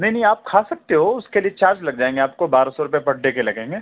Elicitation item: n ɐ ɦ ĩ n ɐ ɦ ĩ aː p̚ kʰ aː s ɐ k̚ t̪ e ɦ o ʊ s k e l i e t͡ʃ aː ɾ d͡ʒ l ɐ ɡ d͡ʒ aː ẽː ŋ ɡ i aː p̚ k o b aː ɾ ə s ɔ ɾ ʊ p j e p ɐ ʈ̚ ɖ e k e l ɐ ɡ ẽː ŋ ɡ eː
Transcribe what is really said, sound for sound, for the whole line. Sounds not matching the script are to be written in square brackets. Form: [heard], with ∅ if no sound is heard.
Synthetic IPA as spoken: n ɐ ɦ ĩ n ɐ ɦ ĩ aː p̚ kʰ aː s ɐ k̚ t̪ e ɦ o ʊ s k e l i e t͡ʃ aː ɾ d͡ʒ l ɐ ɡ d͡ʒ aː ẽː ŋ ɡ [e] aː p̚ k o b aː ɾ [a] s ɔ ɾ ʊ p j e p ɐ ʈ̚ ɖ e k e l ɐ ɡ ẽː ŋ ɡ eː